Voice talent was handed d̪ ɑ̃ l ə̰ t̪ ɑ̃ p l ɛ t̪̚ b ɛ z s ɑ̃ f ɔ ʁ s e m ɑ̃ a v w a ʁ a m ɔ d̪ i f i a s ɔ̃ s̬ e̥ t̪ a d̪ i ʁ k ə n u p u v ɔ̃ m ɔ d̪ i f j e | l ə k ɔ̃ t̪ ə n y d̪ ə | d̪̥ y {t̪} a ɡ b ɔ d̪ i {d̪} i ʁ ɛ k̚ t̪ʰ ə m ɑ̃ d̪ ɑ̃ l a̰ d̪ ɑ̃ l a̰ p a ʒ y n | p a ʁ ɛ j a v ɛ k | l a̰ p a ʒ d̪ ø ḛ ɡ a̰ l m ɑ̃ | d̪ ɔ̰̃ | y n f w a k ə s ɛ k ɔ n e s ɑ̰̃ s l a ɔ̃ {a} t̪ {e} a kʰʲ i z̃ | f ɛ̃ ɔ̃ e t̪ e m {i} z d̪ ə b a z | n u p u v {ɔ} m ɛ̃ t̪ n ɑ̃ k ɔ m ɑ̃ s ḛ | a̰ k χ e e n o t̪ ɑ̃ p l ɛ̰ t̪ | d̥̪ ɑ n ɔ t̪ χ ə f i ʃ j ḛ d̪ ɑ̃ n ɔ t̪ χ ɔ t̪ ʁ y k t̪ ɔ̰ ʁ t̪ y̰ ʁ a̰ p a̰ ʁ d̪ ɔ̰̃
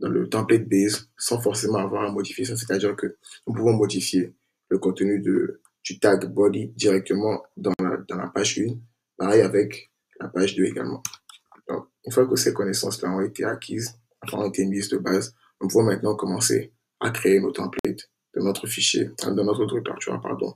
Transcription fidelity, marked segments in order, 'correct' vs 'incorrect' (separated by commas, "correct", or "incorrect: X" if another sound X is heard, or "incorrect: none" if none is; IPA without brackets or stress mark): correct, correct, incorrect: e, correct, correct, incorrect: ɔ̃